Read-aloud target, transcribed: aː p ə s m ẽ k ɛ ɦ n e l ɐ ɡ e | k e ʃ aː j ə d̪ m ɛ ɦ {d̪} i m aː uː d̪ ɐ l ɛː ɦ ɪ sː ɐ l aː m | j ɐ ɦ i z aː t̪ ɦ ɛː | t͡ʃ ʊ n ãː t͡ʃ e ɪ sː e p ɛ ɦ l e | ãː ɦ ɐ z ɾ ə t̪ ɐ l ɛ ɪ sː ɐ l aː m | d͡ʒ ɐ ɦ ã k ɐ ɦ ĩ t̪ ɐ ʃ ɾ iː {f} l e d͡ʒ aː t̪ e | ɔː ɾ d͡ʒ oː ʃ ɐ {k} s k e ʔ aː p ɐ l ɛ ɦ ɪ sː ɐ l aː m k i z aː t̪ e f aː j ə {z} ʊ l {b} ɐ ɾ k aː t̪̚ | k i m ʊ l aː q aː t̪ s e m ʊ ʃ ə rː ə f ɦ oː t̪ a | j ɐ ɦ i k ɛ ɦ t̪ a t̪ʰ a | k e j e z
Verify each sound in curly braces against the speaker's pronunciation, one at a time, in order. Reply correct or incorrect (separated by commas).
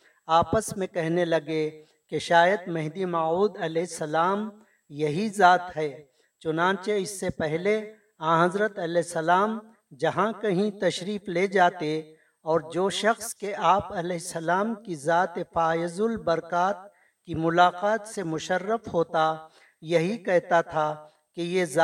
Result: correct, correct, incorrect, correct, correct